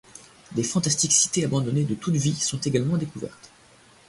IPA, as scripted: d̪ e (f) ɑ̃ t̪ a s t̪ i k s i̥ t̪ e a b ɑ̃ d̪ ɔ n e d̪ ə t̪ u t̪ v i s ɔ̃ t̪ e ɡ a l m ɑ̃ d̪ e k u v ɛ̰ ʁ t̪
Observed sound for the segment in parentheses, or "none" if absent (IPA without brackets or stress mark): f